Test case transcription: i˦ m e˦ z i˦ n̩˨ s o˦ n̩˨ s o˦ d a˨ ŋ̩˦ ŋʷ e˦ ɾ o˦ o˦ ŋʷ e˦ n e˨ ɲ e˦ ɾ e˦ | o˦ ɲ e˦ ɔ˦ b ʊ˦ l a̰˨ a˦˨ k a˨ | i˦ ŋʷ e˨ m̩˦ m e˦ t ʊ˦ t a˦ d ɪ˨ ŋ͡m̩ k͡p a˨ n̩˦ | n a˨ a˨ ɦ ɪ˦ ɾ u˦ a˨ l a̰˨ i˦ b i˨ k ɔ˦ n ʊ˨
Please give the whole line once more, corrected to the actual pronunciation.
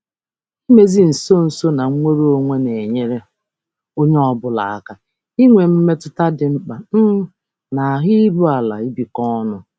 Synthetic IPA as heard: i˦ m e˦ z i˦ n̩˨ s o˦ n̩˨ s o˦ n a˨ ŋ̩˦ ŋʷ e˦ ɾ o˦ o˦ ŋʷ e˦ n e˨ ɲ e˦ ɾ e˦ | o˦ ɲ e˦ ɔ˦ b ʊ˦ l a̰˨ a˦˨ k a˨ | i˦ ŋʷ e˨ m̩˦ m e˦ t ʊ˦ t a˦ d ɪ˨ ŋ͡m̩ k͡p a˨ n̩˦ | n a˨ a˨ ɦ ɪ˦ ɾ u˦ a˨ l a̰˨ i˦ b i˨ k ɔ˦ n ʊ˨